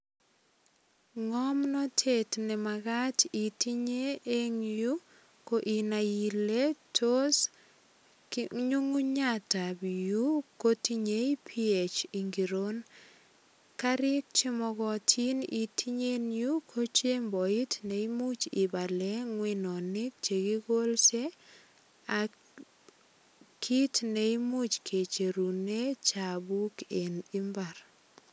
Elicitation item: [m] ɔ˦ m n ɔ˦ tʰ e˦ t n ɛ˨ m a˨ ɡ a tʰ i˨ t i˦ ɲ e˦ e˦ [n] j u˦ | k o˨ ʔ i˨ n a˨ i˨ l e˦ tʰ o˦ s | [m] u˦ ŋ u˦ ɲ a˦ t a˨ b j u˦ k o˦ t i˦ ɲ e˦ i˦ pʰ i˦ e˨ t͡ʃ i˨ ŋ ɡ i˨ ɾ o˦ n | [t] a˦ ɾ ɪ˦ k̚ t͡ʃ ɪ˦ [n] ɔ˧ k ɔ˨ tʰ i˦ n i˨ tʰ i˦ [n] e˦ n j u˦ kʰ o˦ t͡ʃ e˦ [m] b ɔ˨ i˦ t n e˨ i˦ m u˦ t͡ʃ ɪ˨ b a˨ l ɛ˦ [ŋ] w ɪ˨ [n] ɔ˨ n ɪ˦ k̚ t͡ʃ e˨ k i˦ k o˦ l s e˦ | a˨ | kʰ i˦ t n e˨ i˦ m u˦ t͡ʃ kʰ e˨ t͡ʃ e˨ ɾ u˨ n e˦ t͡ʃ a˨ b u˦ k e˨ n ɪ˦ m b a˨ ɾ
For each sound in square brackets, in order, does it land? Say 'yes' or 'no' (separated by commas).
no, no, no, no, no, no, yes, yes, yes